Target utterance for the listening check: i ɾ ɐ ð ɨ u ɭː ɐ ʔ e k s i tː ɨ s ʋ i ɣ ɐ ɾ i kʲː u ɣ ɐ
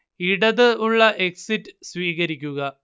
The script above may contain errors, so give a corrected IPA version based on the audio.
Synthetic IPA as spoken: i ɽ ɐ ð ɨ u ɭː ɐ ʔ e k s i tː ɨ s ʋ iː ɣ ɐ ɾ i kʲː u ɣ ɐ